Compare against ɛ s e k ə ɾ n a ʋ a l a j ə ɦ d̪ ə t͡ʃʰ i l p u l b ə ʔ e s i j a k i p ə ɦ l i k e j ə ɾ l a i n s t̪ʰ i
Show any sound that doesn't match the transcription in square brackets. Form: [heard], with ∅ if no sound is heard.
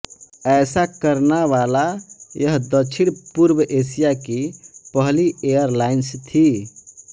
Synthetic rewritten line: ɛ s [a] k ə ɾ n a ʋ a l a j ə ɦ d̪ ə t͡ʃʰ i [ɽ] p u [ɾ] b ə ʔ e s i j a k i p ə ɦ l i [∅] e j ə ɾ l a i n s t̪ʰ i

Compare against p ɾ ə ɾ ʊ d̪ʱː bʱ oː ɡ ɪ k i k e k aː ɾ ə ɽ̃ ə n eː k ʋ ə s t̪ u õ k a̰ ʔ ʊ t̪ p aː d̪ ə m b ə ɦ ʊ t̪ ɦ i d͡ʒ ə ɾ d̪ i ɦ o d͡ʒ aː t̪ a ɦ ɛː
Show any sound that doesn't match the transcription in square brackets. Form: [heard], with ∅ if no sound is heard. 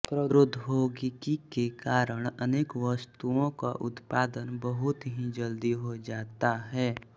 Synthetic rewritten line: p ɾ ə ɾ ʊ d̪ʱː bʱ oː ɡ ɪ k i k e k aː ɾ ə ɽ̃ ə n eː k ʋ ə s t̪ u õ k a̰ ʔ ʊ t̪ p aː d̪ ə [n] b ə ɦ ʊ t̪ ɦ i d͡ʒ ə [l] d̪ i ɦ o d͡ʒ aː t̪ a ɦ ɛː

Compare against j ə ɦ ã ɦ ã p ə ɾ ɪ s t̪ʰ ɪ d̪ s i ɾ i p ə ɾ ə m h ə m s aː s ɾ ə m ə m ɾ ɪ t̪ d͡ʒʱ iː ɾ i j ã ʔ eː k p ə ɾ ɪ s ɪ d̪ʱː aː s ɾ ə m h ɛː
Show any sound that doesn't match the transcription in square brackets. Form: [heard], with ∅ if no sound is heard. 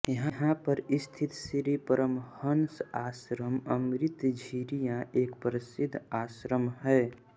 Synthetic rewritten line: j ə ɦ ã ɦ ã p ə ɾ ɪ s t̪ʰ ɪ [t̪] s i ɾ i p ə ɾ ə m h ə [n] s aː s ɾ ə m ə m ɾ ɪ t̪ d͡ʒʱ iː ɾ i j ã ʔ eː k p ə ɾ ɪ s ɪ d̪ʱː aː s ɾ ə m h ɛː

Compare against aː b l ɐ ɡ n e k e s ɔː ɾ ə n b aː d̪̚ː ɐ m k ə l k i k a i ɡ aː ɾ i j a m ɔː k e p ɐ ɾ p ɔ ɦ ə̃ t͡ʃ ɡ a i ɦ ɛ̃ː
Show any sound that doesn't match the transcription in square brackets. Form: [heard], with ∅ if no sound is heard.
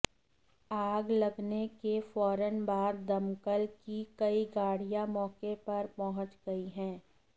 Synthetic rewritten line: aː [ɡ] l ɐ ɡ n e k e [f] ɔː ɾ ə n b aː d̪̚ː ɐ m k ə l k i k [ɐ] i ɡ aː [ɽ] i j a m ɔː k e p ɐ ɾ p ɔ ɦ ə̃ t͡ʃ ɡ [ɐ] i ɦ ɛ̃ː

